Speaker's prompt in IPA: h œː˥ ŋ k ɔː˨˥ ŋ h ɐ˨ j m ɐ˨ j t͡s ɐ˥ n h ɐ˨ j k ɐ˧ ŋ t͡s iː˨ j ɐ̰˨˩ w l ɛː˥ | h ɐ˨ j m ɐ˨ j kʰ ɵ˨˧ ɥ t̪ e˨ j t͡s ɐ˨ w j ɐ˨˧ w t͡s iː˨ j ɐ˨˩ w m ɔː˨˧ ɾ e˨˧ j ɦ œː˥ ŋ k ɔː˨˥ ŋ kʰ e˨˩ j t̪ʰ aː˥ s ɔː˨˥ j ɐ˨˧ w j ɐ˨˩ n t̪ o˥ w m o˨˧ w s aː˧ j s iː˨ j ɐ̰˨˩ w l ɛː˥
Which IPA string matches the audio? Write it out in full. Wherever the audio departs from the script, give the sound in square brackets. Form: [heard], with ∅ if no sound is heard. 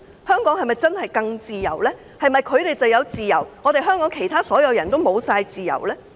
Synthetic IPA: h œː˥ ŋ k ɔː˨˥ ŋ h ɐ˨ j m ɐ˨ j t͡s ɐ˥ n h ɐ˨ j k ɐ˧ ŋ t͡s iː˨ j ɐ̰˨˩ w l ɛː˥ | h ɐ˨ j m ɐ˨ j kʰ ɵ˨˧ ɥ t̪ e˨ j t͡s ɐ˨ w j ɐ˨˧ w t͡s iː˨ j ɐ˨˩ w [ŋ] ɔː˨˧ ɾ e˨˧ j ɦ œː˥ ŋ k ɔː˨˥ ŋ kʰ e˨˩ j t̪ʰ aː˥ s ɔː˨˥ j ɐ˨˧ w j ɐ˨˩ n t̪ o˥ w m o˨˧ w s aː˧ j [t͡s] iː˨ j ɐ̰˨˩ w l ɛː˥